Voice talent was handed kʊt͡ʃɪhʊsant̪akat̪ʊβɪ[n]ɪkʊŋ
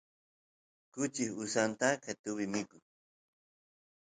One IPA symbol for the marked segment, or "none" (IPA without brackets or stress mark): m